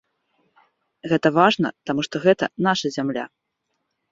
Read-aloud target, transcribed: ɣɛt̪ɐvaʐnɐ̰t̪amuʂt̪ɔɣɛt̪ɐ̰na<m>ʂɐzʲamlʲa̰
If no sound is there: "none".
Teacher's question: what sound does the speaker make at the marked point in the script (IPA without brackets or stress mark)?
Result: none